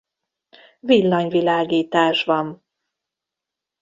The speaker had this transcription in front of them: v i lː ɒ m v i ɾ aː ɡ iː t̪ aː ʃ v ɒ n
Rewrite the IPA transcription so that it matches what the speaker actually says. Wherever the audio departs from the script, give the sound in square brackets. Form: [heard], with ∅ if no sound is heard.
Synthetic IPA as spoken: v i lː ɒ [ɲ] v i [l] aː ɡ iː t̪ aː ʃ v ɒ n